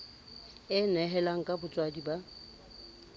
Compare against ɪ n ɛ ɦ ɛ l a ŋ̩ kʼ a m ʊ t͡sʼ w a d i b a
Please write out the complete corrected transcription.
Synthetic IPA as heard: ɪ n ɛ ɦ ɛ l a ŋ̩ kʼ a b ʊ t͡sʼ w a d i b a